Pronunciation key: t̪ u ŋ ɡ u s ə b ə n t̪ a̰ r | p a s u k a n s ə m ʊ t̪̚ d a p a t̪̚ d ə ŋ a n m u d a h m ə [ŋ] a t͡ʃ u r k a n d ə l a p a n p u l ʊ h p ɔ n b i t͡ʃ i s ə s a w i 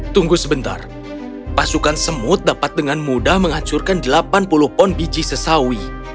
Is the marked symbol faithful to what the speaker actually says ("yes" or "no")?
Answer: yes